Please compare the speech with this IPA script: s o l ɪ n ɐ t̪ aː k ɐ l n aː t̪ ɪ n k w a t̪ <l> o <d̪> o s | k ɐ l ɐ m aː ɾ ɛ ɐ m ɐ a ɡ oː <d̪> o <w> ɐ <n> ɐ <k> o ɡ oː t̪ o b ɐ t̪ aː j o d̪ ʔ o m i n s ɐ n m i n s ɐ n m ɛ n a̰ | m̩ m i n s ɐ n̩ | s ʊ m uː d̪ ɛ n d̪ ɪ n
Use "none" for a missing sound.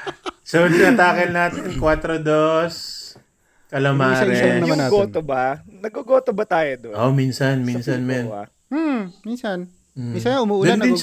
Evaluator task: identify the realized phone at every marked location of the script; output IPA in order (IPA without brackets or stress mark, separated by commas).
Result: ɾ, d̪, t̪, b, n, ɡ